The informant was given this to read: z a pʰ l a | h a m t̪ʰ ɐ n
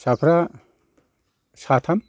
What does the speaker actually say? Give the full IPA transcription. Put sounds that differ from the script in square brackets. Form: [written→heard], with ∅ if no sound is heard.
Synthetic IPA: [z→s] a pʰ [l→ɾ] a | [h→s] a [m→∅] t̪ʰ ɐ [n→m]